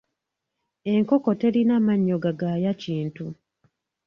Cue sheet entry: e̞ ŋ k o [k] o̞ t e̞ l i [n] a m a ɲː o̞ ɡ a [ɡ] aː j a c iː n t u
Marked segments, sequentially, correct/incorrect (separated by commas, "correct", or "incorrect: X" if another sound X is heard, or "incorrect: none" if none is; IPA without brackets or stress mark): correct, correct, correct